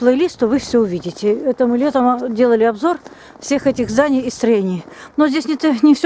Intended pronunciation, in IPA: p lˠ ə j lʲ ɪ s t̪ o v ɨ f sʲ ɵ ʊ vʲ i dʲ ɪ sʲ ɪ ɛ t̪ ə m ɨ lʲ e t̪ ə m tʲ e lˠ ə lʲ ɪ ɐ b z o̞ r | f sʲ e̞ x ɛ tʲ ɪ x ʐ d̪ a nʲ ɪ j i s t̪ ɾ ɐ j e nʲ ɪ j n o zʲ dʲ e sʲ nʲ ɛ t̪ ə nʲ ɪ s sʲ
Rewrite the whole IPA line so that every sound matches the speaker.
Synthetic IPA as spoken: p lˠ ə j lʲ i s t̪ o v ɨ f sʲ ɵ ʊ vʲ i dʲ ɪ tʲ ɪ ɛ t̪ ə m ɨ lʲ e t̪ ə m dʲ e lˠ ə lʲ ɪ ɐ b z o̞ r | f sʲ e̞ x ɛ tʲ ɪ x z d̪ a nʲ ɪ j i s t̪ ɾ ɐ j e nʲ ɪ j n o zʲ dʲ e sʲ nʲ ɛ t̪ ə nʲ ɪ f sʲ